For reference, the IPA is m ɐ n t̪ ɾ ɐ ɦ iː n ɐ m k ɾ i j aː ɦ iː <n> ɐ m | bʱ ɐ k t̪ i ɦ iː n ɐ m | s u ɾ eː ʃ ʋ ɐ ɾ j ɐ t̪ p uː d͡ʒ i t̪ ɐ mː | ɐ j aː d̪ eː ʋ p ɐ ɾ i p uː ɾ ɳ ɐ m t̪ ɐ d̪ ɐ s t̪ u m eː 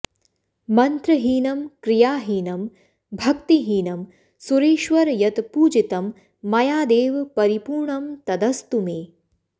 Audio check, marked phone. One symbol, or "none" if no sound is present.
n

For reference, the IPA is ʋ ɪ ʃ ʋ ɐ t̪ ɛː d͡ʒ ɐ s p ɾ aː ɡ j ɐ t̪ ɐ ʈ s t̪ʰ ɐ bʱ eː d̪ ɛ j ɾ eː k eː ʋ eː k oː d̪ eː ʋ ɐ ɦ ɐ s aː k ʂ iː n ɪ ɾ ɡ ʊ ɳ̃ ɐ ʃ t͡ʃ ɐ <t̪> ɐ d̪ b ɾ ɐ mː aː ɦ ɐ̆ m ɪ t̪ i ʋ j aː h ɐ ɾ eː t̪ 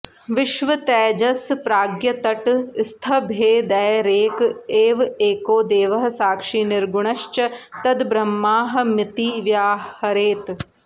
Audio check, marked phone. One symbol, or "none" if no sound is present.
t̪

